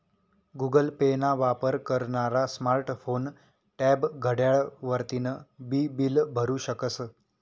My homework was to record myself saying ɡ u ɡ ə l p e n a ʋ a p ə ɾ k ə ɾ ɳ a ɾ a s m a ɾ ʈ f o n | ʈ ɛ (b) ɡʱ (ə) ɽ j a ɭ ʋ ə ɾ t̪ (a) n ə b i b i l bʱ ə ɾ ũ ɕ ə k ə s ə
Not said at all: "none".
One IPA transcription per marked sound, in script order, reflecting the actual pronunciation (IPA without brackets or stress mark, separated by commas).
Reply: b, ə, i